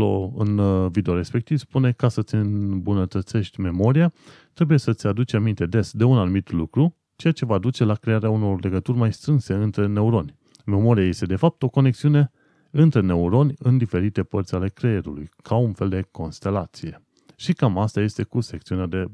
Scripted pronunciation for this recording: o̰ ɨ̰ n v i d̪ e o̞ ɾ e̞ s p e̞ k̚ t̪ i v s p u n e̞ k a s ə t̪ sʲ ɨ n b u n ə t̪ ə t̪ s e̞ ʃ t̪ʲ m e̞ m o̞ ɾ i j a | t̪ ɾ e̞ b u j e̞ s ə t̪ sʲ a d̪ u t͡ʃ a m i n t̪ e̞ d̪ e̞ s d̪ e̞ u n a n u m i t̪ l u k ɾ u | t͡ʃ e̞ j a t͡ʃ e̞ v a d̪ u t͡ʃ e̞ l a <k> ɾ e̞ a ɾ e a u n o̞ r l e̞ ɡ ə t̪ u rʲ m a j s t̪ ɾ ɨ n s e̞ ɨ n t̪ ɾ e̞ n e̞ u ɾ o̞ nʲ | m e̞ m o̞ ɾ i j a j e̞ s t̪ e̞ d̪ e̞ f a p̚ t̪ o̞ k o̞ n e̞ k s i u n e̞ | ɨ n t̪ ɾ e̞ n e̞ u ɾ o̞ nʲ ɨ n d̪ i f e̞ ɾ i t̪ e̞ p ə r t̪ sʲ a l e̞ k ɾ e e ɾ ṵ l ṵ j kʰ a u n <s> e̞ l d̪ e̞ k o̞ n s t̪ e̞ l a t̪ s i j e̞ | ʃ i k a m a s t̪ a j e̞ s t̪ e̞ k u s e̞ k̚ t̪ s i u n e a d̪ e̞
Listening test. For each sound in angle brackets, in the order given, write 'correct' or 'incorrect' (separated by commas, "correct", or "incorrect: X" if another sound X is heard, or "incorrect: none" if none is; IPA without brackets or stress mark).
correct, incorrect: f